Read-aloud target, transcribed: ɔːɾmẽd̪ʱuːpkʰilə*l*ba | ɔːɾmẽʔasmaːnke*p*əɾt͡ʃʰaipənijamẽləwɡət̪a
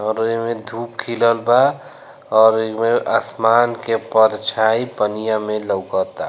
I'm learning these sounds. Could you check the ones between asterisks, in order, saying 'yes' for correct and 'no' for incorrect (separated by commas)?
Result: yes, yes